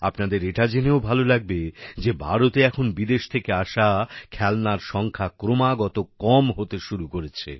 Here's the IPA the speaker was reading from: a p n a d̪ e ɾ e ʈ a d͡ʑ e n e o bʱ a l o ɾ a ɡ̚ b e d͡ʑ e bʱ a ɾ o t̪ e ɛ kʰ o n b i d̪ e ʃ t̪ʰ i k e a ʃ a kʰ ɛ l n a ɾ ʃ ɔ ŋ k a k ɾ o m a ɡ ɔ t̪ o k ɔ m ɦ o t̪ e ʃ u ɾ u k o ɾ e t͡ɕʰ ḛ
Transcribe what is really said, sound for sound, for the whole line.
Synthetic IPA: a p n a d̪ e ɾ e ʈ a d͡ʑ e n e o bʱ a l o l a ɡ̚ b e d͡ʑ e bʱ a ɾ o t̪ e ɛ kʰ o n b i d̪ e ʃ t̪ʰ e k e a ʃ a kʰ ɛ l n a ɾ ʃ ɔ ŋ kʰ a k ɾ o m a ɡ ɔ t̪ o k ɔ m ɦ o t̪ e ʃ u ɾ u k o ɾ e t͡ɕʰ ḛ